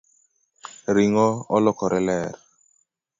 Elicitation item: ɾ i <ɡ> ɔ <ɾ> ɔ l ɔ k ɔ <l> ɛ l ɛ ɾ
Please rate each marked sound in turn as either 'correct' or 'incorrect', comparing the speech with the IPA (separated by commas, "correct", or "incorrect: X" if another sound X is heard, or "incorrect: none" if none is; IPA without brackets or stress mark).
incorrect: ŋ, incorrect: none, incorrect: ɾ